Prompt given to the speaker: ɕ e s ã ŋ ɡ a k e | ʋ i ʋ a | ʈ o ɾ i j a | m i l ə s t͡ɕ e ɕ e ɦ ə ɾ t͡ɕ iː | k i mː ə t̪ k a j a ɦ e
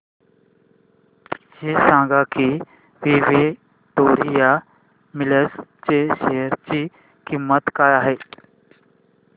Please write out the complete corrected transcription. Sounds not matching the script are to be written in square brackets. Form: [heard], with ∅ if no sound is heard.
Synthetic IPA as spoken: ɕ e s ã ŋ ɡ a k [i] | ʋ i ʋ [e] | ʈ o ɾ i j a | m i l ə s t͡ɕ e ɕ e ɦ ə ɾ t͡ɕ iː | k i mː ə t̪ k a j a ɦ e